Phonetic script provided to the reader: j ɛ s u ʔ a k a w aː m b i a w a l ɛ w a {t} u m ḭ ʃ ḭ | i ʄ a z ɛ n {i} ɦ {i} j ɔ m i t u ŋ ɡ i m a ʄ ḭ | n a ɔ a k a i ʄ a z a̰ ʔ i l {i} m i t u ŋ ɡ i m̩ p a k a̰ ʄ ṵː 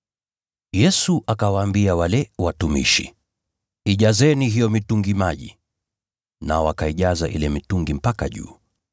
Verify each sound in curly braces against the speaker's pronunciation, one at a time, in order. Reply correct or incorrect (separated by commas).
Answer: correct, correct, correct, incorrect